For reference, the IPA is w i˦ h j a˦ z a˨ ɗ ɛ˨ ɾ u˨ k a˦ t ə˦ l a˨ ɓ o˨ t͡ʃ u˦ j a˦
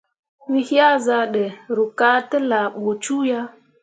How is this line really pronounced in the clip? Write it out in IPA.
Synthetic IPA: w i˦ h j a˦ z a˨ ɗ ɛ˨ ɾ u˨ k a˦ t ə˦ l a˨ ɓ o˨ t͡ʃ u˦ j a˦